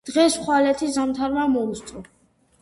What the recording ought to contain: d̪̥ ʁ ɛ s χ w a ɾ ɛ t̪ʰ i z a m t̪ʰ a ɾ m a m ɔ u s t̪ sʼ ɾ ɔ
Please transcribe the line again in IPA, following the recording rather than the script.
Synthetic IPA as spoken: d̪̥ ʁ ɛ s χ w a l ɛ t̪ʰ i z a m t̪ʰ a ɾ m a m ɔ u s t̪ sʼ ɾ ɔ